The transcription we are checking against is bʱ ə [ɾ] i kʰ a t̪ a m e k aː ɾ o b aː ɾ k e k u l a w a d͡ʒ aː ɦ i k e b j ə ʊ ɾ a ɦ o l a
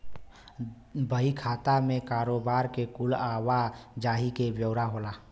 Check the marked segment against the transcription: incorrect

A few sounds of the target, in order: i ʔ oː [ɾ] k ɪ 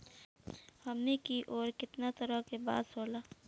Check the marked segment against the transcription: correct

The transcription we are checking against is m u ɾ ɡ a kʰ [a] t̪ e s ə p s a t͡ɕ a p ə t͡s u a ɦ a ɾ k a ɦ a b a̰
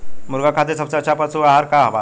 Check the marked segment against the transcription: correct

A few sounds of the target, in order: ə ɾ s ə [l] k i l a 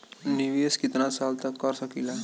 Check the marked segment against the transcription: incorrect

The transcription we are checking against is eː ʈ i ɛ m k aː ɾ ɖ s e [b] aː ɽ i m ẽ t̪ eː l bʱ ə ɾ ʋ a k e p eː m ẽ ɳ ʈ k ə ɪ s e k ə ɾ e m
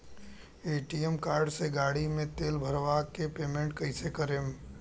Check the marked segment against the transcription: incorrect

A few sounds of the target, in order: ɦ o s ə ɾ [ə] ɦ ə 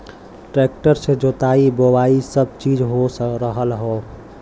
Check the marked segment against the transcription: correct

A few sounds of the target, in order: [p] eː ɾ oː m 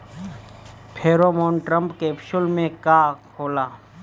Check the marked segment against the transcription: incorrect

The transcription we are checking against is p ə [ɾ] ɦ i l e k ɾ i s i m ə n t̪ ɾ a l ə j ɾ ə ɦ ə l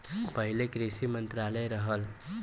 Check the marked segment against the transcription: incorrect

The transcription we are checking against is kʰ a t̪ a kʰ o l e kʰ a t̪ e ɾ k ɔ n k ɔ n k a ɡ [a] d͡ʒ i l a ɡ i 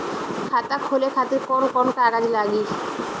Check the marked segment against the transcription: correct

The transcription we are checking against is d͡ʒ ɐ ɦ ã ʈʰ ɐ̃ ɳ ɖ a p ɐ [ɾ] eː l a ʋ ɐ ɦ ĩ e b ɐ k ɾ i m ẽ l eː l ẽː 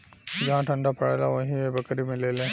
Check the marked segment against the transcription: incorrect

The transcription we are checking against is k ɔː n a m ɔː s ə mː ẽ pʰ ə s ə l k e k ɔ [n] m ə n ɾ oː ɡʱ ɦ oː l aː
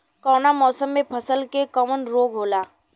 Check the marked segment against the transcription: incorrect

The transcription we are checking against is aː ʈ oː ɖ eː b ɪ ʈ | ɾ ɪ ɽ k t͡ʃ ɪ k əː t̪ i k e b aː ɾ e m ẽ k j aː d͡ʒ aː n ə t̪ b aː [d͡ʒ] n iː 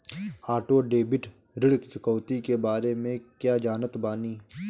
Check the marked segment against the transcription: incorrect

